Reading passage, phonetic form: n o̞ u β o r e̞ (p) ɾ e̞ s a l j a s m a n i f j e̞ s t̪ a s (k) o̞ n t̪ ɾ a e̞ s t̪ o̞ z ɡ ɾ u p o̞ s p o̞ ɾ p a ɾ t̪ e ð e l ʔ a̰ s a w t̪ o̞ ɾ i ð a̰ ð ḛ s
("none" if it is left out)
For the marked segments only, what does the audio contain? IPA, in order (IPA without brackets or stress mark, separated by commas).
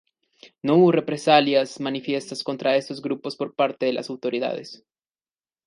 p, k